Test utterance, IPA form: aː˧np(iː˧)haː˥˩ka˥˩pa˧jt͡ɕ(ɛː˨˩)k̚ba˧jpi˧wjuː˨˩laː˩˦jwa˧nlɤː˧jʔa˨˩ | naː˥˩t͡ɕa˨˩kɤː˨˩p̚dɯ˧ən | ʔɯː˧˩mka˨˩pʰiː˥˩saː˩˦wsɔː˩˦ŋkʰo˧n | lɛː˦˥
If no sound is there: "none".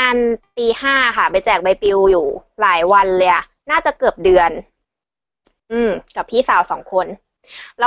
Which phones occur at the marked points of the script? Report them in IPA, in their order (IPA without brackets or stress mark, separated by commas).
iː˧, ɛː˨˩